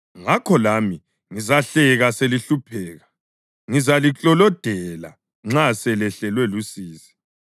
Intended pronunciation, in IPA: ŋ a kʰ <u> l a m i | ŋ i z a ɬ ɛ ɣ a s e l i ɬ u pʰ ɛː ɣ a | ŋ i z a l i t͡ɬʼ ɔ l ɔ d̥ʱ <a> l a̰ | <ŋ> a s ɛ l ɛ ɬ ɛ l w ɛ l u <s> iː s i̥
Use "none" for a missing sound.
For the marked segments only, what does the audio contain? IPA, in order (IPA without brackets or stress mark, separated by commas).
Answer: ɔ, ɛ, ŋ͡ǁ, s